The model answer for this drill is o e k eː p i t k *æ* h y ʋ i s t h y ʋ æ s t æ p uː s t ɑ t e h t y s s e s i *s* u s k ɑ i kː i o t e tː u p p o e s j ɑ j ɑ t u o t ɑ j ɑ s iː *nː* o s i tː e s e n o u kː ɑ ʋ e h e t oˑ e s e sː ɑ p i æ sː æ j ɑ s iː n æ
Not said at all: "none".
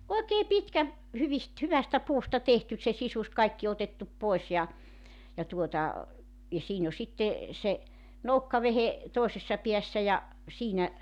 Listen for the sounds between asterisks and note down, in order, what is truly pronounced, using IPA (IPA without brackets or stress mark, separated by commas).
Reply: æ, s, n